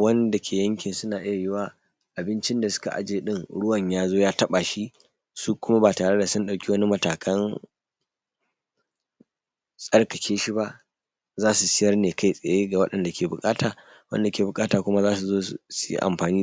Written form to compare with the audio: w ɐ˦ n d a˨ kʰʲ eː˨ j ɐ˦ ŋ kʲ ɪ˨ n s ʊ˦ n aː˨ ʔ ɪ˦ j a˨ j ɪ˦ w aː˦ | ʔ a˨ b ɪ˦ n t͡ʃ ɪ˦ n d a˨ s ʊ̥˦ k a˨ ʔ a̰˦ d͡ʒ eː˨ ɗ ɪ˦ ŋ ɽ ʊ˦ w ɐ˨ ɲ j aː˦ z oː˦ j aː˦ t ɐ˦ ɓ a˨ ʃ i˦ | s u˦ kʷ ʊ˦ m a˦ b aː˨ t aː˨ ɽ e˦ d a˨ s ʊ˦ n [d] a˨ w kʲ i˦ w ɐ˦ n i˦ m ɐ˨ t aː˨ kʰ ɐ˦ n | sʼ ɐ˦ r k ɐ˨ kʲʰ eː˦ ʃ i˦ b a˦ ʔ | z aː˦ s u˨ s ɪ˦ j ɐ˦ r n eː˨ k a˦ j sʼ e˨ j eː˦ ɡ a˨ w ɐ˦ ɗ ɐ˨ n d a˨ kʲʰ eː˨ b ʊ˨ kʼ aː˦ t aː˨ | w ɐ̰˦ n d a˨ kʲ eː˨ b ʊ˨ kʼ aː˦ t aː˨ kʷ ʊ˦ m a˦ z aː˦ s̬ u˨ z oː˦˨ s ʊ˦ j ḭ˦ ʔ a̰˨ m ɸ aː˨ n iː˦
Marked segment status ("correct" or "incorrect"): incorrect